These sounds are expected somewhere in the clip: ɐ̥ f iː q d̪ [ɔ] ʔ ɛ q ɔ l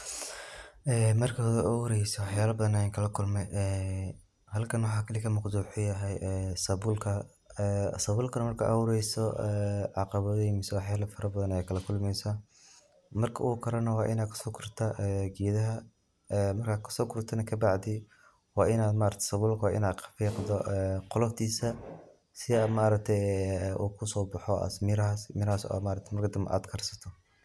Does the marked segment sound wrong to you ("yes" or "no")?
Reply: no